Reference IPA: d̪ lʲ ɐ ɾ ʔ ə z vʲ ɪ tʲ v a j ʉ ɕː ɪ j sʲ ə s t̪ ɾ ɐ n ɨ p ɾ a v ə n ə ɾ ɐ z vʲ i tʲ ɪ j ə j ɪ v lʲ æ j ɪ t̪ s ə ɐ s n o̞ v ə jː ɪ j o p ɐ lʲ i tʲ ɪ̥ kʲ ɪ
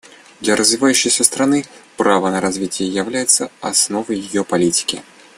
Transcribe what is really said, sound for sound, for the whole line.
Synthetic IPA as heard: d̪ lʲ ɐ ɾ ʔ ə z vʲ ɪ v a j ʉ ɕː ɪ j sʲ ə s t̪ ɾ ɐ n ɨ p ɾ a v ə n ə ɾ ɐ z vʲ i tʲ ɪ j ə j ɪ v lʲ æ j ɪ t̪ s ə ɐ s n o̞ v ə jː ɪ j o p ɐ lʲ i tʲ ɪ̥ kʲ ɪ